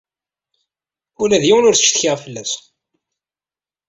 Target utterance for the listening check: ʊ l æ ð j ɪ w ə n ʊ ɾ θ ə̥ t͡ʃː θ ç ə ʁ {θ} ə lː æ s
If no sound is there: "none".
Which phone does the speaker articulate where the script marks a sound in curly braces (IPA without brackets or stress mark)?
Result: f